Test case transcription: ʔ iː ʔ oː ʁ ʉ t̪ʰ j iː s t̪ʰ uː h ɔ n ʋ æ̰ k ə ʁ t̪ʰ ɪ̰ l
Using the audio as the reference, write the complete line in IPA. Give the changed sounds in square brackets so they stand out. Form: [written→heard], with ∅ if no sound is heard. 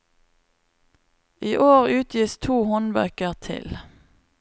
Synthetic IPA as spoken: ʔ iː ʔ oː ʁ [ʉ→ʉː] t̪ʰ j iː s t̪ʰ uː h ɔ n ʋ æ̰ k ə ʁ t̪ʰ ɪ̰ l